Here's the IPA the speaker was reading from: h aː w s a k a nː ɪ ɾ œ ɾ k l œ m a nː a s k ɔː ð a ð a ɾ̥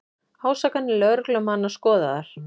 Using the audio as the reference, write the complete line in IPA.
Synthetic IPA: h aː w s a k a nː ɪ l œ ɾ k l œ m a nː a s k ɔː ð a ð a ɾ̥